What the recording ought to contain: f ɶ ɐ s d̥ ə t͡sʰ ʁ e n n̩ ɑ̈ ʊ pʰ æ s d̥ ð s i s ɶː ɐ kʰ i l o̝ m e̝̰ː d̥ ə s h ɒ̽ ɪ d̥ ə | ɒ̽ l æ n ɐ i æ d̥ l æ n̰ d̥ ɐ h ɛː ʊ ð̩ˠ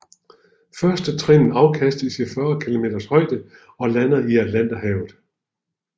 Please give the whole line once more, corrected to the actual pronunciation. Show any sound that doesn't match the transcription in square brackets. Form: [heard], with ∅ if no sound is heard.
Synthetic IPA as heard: f ɶ ɐ s d̥ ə t͡sʰ ʁ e n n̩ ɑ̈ ʊ [kʰ] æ s d̥ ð s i [f] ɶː ɐ kʰ i l o̝ m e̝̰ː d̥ [ɐ] s h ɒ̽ ɪ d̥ ə | ɒ̽ l æ n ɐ i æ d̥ l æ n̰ d̥ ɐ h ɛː ʊ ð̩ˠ